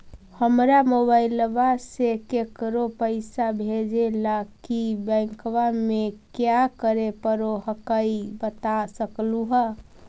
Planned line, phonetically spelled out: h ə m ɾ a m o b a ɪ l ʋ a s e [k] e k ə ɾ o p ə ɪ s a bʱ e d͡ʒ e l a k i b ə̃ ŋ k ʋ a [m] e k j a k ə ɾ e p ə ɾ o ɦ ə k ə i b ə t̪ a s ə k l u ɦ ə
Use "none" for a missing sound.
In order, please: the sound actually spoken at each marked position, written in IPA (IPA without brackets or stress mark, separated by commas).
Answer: k, m